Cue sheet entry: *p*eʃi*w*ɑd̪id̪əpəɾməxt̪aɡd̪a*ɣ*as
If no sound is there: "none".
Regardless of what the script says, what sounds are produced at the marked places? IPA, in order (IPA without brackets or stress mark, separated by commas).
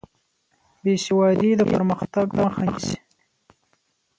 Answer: b, w, x